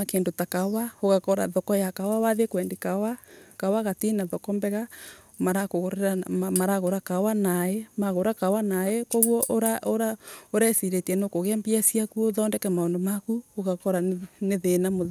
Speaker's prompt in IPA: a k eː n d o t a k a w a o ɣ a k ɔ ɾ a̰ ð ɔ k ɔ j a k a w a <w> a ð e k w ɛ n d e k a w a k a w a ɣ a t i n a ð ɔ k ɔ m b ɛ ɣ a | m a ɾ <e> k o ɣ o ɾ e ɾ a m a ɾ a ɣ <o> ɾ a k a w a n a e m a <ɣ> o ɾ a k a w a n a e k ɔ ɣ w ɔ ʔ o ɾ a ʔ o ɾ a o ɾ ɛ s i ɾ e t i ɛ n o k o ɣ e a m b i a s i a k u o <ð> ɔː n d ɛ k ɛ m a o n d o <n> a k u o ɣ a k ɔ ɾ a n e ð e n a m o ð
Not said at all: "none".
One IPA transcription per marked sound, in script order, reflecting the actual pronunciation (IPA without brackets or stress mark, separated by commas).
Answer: w, a, o, ɣ, ð, m